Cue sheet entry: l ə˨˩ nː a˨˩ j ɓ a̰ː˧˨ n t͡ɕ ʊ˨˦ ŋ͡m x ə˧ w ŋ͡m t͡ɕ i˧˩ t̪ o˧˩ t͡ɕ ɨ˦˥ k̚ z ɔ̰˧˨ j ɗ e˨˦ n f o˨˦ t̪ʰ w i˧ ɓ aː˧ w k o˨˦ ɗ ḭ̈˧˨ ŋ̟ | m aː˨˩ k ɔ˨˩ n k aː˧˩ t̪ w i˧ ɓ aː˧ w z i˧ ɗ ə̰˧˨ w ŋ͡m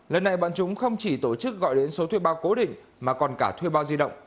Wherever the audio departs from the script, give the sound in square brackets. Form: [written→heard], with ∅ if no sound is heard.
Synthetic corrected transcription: l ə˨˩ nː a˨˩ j ɓ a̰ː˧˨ n t͡ɕ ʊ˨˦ ŋ͡m x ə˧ w ŋ͡m t͡ɕ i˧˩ t̪ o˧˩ t͡ɕ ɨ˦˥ k̚ [z→ɣ] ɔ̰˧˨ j ɗ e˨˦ n [f→s] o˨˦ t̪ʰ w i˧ ɓ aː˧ w k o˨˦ ɗ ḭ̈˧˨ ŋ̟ | m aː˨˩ k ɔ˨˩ n k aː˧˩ [t̪→t̪ʰ] w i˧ ɓ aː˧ w z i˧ ɗ ə̰˧˨ w ŋ͡m